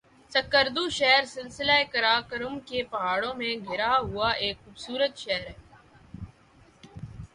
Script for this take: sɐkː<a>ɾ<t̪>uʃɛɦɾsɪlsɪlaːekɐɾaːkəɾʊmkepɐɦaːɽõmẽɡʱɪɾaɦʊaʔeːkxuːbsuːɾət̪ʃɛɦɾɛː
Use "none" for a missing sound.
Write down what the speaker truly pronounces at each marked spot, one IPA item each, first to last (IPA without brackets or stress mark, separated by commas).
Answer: ə, d̪